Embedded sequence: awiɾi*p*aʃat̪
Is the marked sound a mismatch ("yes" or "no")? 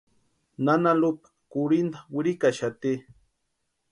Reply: yes